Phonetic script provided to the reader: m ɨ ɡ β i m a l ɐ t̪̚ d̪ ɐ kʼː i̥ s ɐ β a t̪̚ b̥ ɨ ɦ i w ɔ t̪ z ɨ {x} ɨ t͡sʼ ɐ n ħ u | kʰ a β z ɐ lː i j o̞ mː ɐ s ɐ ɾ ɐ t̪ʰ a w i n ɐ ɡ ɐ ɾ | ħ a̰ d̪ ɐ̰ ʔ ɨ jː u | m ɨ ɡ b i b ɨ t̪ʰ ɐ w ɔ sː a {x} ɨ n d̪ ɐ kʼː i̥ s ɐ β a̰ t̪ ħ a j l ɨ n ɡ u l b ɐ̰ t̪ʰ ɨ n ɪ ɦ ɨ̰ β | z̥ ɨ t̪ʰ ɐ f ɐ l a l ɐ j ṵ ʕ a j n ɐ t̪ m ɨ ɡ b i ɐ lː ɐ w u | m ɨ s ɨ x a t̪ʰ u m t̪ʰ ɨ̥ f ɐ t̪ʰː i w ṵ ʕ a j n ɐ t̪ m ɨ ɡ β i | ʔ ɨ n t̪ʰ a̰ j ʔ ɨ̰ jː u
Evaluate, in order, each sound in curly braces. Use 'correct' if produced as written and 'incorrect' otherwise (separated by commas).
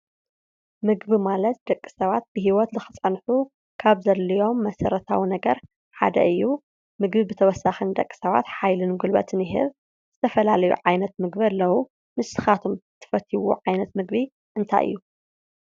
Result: correct, correct